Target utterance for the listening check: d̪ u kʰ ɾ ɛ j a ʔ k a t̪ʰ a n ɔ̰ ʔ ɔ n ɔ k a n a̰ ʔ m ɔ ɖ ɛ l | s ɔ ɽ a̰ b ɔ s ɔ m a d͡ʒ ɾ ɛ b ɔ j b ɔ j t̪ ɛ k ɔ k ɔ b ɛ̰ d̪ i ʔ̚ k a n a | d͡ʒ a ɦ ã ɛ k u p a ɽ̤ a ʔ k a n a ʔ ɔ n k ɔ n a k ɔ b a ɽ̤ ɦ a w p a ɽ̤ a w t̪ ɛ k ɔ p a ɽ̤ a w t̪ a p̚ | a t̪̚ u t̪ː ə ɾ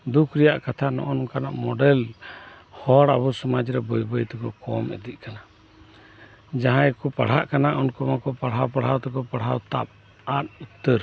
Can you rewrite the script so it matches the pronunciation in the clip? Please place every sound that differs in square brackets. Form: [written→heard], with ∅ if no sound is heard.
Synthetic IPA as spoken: d̪ u kʰ ɾ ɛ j a ʔ k a t̪ʰ a n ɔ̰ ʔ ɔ n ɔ k a n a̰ ʔ m ɔ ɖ ɛ l | [s→h] ɔ ɽ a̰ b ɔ s ɔ m a d͡ʒ ɾ ɛ b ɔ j b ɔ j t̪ ɛ k ɔ k ɔ [b→m] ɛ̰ d̪ i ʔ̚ k a n a | d͡ʒ a ɦ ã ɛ k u p a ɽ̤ a ʔ k a n a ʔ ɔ n k ɔ [n→m] a k ɔ [b→p] a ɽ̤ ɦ a w p a ɽ̤ a w t̪ ɛ k ɔ p a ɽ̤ a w t̪ a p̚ | a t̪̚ u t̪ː ə ɾ